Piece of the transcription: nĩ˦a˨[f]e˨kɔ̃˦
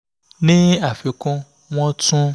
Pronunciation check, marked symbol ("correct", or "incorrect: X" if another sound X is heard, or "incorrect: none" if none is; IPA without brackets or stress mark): correct